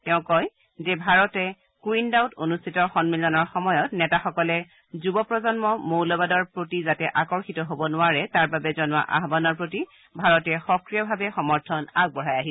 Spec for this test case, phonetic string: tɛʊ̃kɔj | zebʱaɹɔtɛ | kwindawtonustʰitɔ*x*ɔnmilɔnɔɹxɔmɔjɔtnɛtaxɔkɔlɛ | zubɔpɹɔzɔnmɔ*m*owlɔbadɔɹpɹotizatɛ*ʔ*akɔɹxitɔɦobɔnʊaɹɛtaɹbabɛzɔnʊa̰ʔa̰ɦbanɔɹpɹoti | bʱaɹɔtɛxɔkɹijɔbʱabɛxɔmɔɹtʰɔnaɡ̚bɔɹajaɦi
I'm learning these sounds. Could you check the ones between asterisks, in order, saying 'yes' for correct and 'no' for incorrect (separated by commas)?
yes, yes, yes